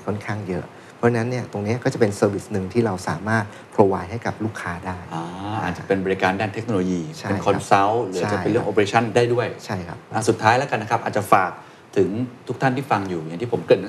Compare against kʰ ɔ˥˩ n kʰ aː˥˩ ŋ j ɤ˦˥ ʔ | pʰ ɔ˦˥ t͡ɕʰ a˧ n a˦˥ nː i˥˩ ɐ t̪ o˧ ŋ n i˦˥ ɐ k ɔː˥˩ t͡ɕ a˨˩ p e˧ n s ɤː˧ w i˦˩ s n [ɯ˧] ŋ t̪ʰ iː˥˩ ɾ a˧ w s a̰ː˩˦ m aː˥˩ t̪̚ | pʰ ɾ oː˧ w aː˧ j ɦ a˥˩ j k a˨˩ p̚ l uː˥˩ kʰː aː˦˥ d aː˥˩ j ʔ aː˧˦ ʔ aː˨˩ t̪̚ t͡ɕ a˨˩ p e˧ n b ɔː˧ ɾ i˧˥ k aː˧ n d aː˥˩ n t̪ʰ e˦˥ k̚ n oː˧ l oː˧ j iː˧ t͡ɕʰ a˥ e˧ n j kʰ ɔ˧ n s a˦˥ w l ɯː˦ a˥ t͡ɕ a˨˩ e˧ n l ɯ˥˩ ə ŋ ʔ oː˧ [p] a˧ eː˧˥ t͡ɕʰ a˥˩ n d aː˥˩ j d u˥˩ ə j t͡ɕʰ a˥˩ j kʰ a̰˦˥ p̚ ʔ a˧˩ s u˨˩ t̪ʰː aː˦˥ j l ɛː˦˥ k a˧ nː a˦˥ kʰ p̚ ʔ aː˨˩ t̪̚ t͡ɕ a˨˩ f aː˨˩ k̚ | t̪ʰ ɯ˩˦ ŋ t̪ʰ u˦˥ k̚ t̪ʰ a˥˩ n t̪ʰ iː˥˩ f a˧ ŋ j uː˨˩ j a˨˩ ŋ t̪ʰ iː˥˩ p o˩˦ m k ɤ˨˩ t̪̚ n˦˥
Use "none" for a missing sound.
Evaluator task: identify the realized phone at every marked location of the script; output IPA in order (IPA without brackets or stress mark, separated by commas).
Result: ɯ˧, p